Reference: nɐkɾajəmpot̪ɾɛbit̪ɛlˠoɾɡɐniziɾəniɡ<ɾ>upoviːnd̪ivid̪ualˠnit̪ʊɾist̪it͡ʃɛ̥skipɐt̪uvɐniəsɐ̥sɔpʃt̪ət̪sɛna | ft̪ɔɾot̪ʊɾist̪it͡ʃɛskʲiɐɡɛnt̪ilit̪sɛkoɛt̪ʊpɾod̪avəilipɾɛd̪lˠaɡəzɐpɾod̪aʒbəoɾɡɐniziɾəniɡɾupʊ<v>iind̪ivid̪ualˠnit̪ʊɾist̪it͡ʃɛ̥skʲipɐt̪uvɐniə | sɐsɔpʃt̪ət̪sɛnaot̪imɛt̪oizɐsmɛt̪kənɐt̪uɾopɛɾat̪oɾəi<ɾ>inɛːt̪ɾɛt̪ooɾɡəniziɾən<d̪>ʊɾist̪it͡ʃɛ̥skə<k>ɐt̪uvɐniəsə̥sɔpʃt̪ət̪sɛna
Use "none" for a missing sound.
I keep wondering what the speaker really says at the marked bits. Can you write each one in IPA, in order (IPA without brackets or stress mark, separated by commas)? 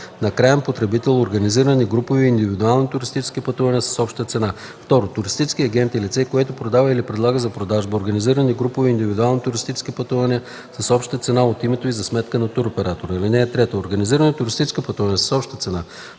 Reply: ɾ, v, l, t̪, p